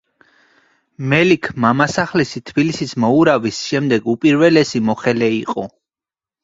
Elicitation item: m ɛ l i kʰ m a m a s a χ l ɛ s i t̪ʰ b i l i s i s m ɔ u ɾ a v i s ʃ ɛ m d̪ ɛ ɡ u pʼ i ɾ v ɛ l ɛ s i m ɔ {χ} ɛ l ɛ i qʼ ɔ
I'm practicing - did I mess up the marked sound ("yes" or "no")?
no